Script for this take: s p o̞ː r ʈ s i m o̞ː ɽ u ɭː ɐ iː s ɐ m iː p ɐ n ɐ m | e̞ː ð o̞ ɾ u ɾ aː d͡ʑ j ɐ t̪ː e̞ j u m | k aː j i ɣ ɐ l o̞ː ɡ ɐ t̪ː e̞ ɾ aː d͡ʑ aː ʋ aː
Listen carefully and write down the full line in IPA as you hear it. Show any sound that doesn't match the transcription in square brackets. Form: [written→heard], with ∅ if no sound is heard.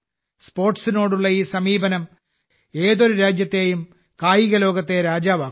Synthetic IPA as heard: s p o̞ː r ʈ s i [m→n] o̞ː ɽ u ɭː ɐ iː s ɐ m iː [p→b] ɐ n ɐ m | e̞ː ð o̞ ɾ u ɾ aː d͡ʑ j ɐ t̪ː e̞ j u m | k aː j i ɣ ɐ l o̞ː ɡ ɐ t̪ː e̞ ɾ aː d͡ʑ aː ʋ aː